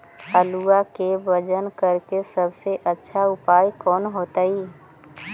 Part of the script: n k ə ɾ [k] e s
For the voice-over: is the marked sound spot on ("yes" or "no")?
yes